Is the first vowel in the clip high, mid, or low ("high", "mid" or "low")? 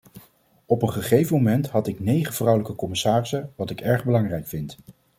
mid